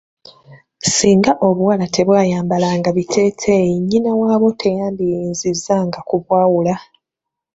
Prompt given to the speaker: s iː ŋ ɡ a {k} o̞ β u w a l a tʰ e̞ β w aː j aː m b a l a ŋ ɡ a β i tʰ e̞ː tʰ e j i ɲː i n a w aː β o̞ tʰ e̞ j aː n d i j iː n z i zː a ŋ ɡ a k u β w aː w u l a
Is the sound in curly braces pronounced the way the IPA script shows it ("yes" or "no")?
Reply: no